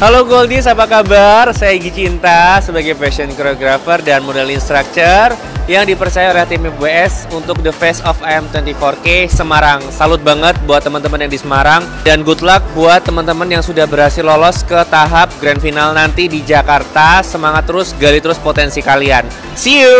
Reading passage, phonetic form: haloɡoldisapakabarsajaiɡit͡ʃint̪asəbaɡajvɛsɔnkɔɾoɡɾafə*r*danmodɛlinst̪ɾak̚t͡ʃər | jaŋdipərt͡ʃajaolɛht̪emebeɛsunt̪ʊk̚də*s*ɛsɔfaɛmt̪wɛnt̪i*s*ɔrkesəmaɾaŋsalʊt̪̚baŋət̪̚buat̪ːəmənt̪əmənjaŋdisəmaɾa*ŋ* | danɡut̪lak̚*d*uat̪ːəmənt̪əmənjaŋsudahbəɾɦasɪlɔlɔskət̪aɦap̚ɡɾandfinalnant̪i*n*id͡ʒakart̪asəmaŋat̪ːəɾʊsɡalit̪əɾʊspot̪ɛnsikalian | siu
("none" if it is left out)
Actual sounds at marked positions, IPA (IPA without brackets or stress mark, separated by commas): r, f, f, ŋ, b, d